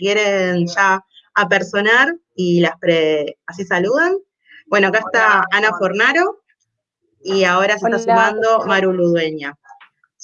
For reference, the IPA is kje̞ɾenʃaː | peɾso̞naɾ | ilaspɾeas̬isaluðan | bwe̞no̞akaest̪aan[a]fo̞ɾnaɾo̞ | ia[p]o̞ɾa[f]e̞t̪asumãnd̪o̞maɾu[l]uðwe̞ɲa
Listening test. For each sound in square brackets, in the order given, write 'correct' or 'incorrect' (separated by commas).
correct, incorrect, incorrect, correct